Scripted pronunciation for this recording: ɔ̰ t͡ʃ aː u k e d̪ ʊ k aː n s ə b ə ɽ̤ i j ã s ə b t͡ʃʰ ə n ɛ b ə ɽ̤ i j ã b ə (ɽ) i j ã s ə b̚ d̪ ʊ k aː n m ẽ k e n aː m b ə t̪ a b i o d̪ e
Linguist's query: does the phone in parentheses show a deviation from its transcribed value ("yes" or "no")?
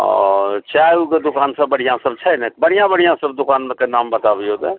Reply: no